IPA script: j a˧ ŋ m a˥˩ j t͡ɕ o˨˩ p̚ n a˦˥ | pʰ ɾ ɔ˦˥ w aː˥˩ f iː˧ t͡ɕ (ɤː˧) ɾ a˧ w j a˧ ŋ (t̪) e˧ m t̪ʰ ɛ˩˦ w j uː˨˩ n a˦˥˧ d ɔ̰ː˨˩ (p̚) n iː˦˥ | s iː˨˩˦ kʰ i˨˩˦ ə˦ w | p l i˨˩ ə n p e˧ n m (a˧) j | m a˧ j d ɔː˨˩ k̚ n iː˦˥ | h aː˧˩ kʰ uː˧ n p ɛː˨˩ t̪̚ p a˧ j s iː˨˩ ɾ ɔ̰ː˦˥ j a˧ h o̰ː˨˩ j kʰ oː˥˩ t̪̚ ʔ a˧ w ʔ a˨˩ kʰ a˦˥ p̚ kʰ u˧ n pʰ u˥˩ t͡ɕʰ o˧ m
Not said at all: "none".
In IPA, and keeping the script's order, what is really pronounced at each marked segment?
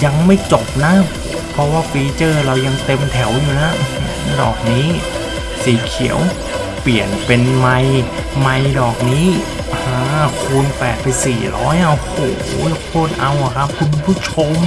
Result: ɤː˥˩, t̪, k̚, a˧

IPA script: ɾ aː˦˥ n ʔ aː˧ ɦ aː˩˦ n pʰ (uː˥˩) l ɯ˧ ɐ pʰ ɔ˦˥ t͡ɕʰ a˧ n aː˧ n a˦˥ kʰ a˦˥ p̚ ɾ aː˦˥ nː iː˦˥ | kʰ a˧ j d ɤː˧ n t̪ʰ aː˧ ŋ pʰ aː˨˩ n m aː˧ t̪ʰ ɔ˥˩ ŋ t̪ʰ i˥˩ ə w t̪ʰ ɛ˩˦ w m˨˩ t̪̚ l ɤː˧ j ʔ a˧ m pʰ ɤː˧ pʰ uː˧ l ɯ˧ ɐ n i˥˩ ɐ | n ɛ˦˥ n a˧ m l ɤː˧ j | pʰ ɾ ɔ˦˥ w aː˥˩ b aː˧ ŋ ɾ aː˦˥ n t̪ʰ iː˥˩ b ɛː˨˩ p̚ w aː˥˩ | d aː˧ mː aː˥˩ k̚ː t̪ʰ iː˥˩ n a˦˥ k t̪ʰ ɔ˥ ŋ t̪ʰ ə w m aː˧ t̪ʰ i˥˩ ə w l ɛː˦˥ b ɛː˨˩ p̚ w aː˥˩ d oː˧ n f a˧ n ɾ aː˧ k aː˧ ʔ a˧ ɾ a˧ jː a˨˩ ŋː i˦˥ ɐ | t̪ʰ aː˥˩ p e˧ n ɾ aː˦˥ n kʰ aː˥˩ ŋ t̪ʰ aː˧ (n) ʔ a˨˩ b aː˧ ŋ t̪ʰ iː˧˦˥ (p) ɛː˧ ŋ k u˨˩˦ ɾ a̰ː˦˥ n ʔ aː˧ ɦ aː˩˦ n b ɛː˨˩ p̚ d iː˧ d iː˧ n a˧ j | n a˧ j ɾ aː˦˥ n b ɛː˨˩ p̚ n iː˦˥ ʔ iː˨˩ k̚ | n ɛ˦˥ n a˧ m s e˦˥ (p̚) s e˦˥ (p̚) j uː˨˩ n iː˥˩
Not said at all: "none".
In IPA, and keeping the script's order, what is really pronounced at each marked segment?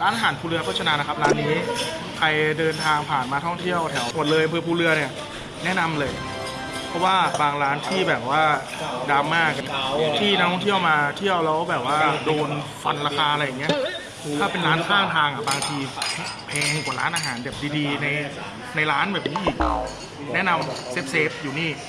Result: uː˧, ŋ, pʰ, p̚, p̚

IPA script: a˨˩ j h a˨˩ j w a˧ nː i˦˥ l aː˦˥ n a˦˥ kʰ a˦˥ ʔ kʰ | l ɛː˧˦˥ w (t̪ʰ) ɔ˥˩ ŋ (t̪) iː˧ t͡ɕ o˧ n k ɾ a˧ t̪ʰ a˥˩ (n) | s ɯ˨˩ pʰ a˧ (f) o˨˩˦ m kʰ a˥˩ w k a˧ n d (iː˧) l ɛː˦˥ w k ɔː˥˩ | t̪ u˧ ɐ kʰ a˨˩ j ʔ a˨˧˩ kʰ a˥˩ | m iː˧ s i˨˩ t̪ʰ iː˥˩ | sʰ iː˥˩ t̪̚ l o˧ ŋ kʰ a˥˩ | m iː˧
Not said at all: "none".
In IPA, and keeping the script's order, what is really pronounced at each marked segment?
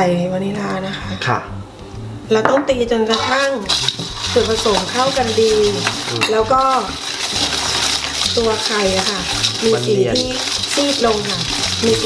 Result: t̪, t̪, ŋ, s, iː˧

